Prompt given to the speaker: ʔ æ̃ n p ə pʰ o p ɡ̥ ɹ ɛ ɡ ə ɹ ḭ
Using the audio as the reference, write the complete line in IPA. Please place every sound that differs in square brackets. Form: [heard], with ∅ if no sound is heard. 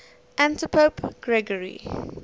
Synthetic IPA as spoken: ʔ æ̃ n [t] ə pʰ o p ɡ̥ ɹ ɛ ɡ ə ɹ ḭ